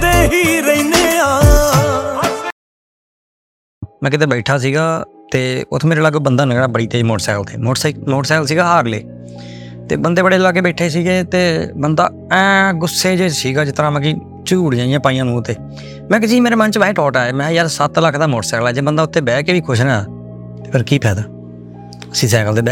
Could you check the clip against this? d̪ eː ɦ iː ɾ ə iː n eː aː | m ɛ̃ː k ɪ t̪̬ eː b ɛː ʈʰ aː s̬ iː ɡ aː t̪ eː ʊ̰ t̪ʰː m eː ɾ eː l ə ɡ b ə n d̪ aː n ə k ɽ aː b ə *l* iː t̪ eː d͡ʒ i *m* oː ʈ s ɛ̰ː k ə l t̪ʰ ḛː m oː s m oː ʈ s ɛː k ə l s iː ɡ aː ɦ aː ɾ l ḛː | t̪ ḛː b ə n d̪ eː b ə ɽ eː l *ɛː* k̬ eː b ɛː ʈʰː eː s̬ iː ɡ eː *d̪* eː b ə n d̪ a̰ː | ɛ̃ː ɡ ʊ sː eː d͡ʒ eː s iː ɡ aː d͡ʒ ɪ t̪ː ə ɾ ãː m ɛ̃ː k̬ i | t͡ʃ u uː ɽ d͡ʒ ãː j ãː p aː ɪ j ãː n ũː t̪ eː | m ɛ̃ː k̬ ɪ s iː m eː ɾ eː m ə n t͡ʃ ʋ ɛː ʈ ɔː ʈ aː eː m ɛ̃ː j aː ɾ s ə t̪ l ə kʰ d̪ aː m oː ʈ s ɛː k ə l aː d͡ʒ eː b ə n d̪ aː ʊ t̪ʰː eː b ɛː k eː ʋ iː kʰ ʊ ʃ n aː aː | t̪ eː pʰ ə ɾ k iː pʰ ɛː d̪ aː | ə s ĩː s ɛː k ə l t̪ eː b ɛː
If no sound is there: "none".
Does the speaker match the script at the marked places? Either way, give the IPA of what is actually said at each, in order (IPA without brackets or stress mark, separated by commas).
ɽ, m, aː, t̪